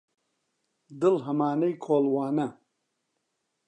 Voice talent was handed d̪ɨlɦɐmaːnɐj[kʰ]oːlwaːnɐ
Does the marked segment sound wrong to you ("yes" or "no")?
no